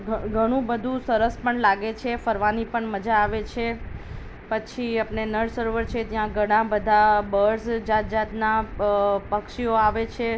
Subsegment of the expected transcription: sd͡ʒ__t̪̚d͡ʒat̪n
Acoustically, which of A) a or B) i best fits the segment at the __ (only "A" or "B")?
A